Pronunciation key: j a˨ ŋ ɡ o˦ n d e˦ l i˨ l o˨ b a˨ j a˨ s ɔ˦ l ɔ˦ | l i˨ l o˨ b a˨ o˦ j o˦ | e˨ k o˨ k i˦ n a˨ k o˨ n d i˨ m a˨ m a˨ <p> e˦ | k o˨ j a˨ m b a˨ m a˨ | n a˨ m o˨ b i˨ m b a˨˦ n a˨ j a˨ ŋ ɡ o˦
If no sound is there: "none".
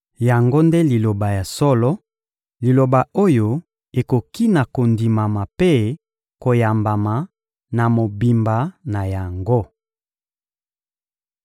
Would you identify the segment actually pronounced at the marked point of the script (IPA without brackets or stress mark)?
p